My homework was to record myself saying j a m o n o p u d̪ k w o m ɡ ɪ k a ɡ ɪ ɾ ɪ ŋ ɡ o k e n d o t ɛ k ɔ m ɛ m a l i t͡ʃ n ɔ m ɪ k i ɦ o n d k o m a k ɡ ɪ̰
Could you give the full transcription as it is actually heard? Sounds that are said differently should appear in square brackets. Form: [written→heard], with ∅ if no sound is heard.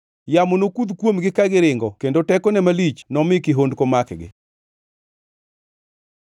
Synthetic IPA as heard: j a m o n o [p→k] u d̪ k w o m ɡ ɪ k a ɡ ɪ ɾ ɪ ŋ ɡ [o→ɔ] k e n d o t ɛ k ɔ [m→n] ɛ m a l i t͡ʃ n ɔ m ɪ k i ɦ o n d k o m a k ɡ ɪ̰